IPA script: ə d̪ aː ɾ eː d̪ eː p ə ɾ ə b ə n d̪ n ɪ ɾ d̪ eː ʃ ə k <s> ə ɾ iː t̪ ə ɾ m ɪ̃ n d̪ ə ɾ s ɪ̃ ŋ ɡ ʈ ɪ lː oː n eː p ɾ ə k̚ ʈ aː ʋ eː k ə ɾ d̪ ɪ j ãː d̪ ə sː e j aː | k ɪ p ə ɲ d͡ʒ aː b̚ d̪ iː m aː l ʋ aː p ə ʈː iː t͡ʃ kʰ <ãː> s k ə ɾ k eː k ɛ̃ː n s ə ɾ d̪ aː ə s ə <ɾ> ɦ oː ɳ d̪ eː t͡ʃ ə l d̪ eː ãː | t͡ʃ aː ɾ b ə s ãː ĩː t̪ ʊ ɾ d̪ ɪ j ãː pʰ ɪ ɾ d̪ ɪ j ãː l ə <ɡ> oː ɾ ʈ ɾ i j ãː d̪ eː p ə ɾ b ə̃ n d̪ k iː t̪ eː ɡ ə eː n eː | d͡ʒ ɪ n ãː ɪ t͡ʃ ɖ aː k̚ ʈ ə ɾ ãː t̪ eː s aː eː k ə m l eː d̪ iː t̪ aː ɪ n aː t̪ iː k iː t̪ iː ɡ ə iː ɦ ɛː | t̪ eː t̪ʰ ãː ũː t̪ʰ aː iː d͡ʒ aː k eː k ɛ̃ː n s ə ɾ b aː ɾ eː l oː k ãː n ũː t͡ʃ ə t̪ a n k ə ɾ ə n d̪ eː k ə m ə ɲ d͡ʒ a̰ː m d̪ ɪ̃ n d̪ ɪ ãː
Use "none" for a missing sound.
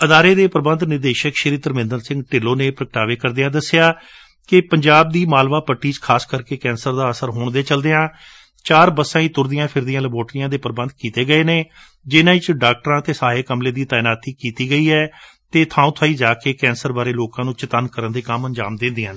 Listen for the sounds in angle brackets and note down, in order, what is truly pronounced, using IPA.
ʃ, aː, ɾ, b

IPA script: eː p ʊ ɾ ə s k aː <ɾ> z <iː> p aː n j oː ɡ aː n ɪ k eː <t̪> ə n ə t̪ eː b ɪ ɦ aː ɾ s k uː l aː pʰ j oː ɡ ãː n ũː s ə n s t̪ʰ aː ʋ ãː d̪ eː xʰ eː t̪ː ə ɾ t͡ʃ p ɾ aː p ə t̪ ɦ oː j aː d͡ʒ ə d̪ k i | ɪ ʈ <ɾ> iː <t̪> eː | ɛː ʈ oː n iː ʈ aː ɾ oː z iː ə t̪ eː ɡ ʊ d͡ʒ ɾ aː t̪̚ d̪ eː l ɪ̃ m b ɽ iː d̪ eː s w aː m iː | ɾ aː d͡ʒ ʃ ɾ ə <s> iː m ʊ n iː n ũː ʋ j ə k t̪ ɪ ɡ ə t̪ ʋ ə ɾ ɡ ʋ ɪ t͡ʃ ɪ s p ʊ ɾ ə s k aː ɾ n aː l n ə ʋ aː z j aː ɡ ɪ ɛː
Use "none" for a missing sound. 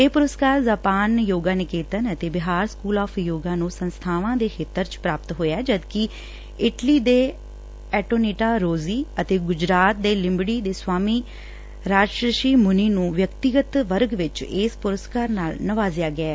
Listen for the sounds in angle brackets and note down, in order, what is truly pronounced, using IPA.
ɾ, aː, t̪, l, d̪, ʃ

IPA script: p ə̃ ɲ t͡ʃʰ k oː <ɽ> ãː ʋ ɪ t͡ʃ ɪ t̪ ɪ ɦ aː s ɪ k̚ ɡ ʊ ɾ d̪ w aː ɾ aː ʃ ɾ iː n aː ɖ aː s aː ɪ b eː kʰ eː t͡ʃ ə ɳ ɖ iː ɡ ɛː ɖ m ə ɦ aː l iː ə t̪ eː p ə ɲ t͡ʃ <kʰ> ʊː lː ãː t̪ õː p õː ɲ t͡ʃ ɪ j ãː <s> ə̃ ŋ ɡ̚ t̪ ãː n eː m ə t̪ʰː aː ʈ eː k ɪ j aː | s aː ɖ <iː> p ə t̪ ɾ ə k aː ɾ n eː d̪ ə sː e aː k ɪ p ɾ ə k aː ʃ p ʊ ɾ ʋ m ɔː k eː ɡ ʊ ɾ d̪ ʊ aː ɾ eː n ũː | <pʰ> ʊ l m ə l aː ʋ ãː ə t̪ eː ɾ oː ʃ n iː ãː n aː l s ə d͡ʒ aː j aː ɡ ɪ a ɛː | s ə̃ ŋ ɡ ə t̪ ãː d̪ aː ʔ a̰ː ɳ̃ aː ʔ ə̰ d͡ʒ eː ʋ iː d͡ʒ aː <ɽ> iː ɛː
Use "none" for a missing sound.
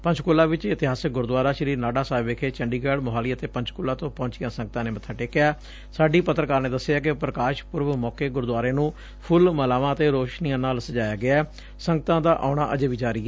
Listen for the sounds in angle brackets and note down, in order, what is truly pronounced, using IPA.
l, k, s, iː, pʰ, ɾ

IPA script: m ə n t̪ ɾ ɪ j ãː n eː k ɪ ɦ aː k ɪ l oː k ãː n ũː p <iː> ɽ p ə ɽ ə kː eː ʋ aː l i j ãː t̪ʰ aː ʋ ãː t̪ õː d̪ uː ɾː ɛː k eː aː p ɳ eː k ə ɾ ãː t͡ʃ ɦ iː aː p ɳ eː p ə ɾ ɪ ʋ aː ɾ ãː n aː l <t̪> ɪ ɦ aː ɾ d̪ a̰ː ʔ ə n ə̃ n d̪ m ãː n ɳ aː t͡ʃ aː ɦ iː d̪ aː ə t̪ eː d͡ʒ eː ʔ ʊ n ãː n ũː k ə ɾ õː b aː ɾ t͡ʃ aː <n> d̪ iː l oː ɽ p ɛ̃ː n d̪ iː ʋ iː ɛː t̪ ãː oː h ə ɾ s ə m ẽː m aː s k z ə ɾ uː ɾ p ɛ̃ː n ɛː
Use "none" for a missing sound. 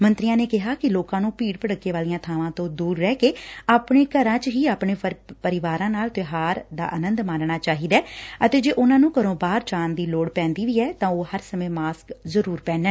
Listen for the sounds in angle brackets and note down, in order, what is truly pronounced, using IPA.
iː, t̪, n

